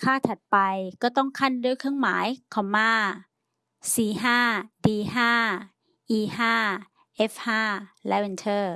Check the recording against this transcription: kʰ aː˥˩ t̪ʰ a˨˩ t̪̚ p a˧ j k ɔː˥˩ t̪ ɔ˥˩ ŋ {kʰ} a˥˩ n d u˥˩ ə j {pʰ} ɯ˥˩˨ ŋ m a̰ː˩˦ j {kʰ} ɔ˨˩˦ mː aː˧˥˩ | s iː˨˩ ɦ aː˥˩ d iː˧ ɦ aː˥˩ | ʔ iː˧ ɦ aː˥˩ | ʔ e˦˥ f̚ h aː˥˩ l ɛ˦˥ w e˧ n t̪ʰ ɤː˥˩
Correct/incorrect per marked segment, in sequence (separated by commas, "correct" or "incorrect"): correct, incorrect, correct